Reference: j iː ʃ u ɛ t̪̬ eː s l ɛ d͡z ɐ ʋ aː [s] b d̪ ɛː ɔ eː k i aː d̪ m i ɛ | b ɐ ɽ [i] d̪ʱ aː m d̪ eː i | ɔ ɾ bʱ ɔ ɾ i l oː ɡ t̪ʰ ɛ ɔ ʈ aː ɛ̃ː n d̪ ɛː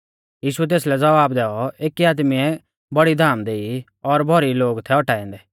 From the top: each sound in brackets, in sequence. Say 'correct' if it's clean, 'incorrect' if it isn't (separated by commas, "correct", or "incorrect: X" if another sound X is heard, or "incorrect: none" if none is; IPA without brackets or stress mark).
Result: incorrect: none, correct